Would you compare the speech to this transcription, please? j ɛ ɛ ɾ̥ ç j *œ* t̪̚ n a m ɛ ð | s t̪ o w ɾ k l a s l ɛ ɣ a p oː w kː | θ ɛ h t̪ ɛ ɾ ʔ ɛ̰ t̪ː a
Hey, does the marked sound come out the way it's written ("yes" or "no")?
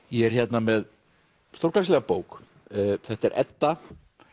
no